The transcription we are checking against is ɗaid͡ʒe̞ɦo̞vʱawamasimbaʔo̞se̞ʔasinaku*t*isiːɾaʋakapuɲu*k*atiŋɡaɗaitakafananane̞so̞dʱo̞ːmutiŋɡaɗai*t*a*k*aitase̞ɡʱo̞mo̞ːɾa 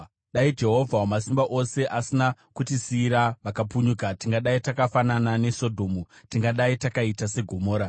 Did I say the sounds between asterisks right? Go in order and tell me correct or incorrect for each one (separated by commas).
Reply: correct, correct, correct, correct